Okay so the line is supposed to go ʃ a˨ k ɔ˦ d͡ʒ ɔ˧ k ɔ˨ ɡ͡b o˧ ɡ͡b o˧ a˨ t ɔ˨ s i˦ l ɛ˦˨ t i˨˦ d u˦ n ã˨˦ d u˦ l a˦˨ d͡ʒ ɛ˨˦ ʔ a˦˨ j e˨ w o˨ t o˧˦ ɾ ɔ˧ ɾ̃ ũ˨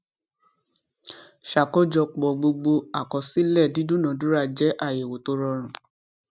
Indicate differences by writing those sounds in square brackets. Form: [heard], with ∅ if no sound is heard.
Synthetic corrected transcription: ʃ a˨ k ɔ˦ d͡ʒ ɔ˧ [k͡p] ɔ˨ ɡ͡b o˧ ɡ͡b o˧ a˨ [k] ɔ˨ s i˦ l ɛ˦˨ [d] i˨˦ d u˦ n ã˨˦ d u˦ [ɾ] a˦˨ d͡ʒ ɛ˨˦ ʔ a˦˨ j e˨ w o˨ t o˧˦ ɾ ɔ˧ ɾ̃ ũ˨